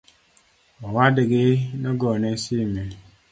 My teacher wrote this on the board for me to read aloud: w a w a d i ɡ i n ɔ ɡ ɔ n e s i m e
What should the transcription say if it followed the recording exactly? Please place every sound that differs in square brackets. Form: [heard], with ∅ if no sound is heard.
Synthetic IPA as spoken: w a w a d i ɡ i n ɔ ɡ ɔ n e s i m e